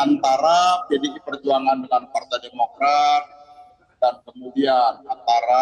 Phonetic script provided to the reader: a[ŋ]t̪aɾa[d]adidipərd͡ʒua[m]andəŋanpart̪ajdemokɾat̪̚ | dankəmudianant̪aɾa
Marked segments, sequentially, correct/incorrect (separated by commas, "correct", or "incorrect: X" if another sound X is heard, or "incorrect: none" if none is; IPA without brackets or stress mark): incorrect: n, incorrect: d͡ʒ, incorrect: ŋ